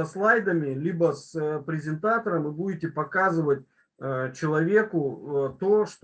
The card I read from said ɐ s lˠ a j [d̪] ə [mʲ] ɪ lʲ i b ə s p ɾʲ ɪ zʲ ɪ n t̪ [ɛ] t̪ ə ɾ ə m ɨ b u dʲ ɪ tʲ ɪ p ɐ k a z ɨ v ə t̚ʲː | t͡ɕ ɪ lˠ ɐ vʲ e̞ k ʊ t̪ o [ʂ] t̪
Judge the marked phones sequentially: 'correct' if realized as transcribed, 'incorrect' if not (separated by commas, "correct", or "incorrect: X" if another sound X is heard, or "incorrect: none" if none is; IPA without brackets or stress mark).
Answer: correct, correct, incorrect: a, correct